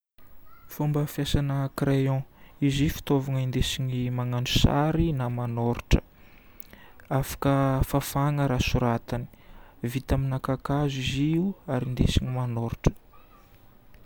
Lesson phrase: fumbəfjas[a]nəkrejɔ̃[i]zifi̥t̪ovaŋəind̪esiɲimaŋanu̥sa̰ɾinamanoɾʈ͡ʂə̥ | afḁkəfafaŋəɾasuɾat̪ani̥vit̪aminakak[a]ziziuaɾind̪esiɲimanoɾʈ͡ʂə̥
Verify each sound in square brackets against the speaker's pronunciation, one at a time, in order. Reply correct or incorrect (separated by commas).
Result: correct, correct, correct